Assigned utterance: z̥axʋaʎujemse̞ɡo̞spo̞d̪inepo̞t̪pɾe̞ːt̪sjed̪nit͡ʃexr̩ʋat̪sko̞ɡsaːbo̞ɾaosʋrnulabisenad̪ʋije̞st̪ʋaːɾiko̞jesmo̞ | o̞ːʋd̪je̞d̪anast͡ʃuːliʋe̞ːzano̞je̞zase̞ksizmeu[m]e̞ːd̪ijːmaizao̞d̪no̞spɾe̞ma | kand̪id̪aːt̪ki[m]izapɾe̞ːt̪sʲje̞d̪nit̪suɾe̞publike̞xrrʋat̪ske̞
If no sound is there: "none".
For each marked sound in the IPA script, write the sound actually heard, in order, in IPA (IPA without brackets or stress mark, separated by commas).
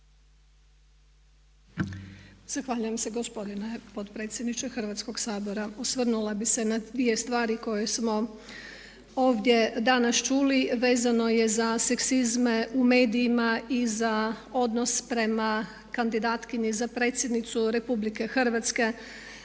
m, ɲ